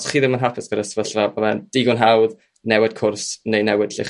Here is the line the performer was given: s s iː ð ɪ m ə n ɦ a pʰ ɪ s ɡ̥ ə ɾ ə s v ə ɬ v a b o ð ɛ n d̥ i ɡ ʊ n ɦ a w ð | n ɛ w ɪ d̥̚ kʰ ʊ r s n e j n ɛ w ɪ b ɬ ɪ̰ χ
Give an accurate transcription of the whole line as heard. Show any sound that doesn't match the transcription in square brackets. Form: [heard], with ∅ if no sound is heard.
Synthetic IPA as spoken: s [χ] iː ð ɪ m ə n ɦ a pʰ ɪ s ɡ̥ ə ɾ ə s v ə ɬ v a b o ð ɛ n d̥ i ɡ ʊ n ɦ a w ð | n ɛ w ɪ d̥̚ kʰ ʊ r s n e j n ɛ w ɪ [d] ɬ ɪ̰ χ